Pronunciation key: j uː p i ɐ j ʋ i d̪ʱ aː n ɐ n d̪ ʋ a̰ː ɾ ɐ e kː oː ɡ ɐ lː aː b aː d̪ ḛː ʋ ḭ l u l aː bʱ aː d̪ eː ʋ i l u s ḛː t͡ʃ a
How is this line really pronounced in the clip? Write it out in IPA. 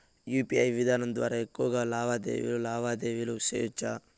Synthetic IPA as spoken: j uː p i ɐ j ʋ i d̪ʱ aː n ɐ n d̪ ʋ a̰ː ɾ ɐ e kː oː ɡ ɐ l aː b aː d̪ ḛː ʋ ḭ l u l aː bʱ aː d̪ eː ʋ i l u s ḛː t͡ʃ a

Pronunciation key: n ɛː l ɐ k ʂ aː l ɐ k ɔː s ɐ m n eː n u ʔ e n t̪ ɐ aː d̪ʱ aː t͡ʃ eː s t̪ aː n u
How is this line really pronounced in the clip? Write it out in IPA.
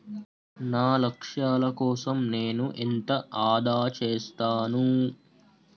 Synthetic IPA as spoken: n aː l ɐ k ʂ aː l ɐ k ɔː s ɐ m n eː n u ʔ e n t̪ ɐ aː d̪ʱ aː t͡ʃ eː s t̪ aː n u

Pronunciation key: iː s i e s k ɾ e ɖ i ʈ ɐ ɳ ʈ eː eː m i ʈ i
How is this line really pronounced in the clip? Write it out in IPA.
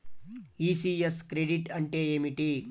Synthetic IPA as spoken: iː s i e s k ɾ e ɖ i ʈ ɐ ɳ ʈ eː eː m i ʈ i

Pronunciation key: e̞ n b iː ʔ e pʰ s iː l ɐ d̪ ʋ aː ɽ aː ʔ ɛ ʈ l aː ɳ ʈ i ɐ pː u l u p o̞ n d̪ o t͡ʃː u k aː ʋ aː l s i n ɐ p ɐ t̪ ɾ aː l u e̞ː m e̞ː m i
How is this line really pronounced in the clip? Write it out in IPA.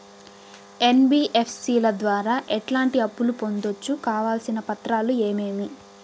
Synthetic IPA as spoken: e̞ n b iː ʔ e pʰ s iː l ɐ d̪ ʋ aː ɾ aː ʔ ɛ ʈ l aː ɳ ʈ i ɐ pː u l u p o̞ n d̪ o t͡ʃː u k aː ʋ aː l s i n ɐ p ɐ t̪ ɾ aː l u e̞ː m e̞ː m i

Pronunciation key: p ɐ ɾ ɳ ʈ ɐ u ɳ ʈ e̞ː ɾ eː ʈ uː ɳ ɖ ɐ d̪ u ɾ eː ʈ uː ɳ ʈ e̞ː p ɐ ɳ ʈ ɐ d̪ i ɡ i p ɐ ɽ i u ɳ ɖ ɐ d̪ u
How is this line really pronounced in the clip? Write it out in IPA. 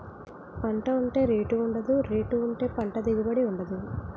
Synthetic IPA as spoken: p ɐ ɳ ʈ ɐ u ɳ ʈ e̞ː ɾ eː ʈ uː ɳ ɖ ɐ d̪ u ɾ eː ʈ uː ɳ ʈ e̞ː p ɐ ɳ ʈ ɐ d̪ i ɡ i b ɐ ɽ i u ɳ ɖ ɐ d̪ u

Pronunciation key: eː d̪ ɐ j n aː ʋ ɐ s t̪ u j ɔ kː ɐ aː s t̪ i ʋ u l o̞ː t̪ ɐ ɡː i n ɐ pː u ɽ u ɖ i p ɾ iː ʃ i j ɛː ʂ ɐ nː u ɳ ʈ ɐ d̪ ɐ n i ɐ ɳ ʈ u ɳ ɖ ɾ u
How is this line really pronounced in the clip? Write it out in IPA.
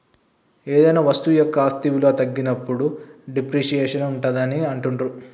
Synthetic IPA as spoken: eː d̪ ɐ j n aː ʋ ɐ s t̪ u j ɔ kː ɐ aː s t̪ i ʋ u l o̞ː t̪ ɐ ɡː i n ɐ pː u ɽ u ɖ i p ɾ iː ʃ i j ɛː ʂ ɐ n u ɳ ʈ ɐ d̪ ɐ n i ɐ ɳ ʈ u ɳ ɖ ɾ u

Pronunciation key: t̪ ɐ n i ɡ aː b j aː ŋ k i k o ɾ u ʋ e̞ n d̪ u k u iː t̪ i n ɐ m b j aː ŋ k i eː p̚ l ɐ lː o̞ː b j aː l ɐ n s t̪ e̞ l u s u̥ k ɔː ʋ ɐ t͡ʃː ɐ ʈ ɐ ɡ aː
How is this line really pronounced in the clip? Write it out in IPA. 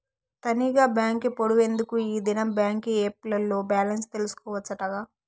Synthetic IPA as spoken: t̪ ɐ n i ɡ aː b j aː ŋ k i p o ɽ u ʋ e̞ n d̪ u k u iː d̪ i n ɐ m b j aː ŋ k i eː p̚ l ɐ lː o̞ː b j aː l ɐ n s t̪ e̞ l u s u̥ k ɔː ʋ ɐ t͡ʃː ɐ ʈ ɐ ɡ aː

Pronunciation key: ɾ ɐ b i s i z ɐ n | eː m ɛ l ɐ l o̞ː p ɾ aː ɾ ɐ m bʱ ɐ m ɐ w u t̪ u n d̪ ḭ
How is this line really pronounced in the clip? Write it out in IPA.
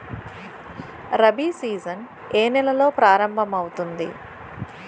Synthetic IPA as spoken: ɾ ɐ b i s iː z ɐ n | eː n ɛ l ɐ l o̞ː p ɾ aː ɾ ɐ m bʱ ɐ m ɐ w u t̪ u n d̪ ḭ

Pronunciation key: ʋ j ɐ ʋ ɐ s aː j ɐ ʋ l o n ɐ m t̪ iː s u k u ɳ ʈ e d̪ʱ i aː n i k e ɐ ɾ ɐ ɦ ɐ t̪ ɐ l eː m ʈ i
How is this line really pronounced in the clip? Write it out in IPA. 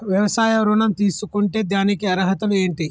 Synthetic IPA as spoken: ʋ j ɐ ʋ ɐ s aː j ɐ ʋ ɾ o n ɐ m t̪ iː s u k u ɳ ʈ e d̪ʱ j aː n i k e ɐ ɾ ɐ ɦ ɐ t̪ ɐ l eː ɳ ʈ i

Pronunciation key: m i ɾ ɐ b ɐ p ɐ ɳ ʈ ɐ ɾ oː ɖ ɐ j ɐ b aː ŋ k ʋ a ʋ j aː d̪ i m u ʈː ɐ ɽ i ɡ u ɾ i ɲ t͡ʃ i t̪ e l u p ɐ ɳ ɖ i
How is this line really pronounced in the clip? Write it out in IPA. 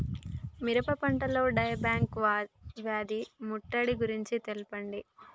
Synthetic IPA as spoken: m i ɾ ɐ p ɐ p ɐ ɳ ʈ ɐ l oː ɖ ɐ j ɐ b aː ŋ k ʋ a ʋ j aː d̪ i m u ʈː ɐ ɽ i ɡ u ɾ i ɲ t͡ʃ i t̪ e l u p ɐ ɳ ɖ i

